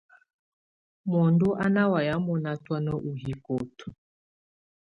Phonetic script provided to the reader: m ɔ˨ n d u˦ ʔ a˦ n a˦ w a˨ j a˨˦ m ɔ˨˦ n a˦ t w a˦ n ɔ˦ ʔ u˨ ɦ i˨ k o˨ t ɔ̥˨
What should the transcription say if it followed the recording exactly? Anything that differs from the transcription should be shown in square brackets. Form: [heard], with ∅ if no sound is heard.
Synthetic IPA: m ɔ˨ n d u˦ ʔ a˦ n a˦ w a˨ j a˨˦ m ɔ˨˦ n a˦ t w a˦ n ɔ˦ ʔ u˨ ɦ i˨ k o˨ t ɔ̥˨